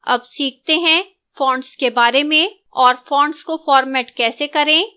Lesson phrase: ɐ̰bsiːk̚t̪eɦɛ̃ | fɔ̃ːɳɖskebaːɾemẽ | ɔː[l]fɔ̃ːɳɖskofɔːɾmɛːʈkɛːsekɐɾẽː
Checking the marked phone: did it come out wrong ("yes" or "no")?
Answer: yes